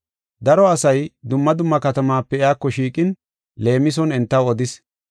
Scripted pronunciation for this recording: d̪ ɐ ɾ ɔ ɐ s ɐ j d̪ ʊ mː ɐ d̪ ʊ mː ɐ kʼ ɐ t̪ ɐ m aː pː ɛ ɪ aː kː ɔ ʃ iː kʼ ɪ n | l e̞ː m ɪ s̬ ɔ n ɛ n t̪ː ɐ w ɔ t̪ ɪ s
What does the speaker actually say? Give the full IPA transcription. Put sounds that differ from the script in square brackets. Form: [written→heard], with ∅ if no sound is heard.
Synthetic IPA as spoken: d̪ ɐ ɾ ɔ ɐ s ɐ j d̪ ʊ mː ɐ d̪ ʊ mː ɐ [kʼ→k] ɐ t̪ ɐ m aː pː ɛ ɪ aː kː ɔ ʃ iː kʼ ɪ n | l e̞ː m ɪ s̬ ɔ n ɛ n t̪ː ɐ w ɔ [t̪→d̪] ɪ s